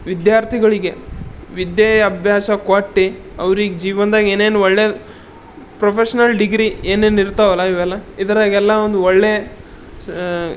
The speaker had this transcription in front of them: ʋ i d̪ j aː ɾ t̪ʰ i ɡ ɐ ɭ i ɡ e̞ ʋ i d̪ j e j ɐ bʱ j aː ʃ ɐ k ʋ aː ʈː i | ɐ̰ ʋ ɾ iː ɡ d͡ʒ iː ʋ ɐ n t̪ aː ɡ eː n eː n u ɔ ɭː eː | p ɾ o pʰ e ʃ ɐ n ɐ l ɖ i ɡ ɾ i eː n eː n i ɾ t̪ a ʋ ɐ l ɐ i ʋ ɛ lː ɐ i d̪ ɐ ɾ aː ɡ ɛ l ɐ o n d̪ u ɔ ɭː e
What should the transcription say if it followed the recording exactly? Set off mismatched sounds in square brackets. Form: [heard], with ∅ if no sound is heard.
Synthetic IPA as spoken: ʋ i d̪ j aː ɾ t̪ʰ i ɡ ɐ ɭ i ɡ e̞ ʋ i d̪ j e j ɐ bʱ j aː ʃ ɐ k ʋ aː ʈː i | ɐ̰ ʋ ɾ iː ɡ d͡ʒ iː ʋ ɐ n [d̪] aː ɡ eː n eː n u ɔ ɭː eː | p ɾ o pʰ e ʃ ɐ n ɐ l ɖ i ɡ ɾ i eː n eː n i ɾ t̪ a ʋ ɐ l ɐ i ʋ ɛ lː ɐ i d̪ ɐ ɾ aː ɡ ɛ [lː] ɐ o n d̪ u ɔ ɭː e